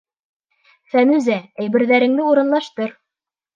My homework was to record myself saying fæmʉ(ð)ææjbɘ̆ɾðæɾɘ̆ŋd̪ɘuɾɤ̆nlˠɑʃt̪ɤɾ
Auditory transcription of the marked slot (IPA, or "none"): z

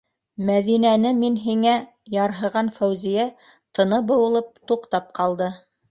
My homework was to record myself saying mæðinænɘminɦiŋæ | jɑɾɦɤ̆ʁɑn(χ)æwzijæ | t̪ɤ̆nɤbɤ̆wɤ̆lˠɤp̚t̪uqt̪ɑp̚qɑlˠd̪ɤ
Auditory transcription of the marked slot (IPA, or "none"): f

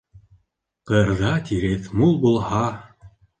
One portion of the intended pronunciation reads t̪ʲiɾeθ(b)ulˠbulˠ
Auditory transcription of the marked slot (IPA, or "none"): m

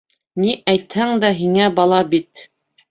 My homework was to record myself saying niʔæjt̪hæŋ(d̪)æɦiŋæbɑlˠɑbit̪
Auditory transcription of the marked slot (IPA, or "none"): d̪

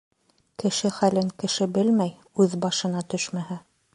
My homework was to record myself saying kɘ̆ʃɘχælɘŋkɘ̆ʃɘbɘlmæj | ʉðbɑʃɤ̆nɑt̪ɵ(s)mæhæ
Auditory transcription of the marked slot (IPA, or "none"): ʃ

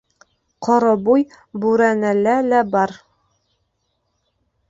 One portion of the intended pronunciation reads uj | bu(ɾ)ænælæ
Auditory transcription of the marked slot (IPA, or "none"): ɾ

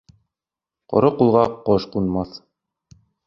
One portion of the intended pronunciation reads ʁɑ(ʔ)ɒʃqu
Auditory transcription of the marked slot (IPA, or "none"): q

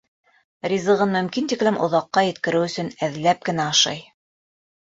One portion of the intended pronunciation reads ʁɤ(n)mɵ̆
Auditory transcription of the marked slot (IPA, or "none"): n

